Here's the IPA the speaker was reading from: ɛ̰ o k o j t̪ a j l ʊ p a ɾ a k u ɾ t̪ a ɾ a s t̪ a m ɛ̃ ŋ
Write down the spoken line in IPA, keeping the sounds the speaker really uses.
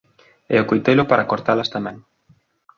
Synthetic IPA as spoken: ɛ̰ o k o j t̪ e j l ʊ p a ɾ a k o ɾ t̪ a l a s t̪ a m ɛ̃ ŋ